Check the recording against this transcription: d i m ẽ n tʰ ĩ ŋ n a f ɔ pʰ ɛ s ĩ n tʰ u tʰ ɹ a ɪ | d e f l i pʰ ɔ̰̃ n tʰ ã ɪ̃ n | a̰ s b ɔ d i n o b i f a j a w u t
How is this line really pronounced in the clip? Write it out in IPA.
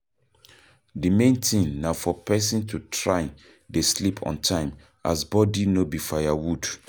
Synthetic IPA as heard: d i m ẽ n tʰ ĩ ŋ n a f ɔ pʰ ɛ s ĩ n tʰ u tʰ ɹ a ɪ | d e s l i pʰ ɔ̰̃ n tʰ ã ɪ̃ m | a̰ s b ɔ d i n o b i f a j a w u d